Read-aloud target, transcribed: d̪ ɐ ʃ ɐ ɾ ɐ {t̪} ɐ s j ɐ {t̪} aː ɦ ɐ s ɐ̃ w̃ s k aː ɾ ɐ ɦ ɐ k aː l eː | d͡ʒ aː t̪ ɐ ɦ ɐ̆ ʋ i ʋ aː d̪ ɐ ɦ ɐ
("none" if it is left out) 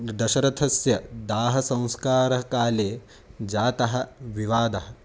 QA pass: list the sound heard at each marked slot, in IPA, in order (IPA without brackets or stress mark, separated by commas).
t̪ʰ, d̪